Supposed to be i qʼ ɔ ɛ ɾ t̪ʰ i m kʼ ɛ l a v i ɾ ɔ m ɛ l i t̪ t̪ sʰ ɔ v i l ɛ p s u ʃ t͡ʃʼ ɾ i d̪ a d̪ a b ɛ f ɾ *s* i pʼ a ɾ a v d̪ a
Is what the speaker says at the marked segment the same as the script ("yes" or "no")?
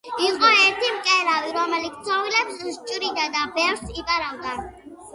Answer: yes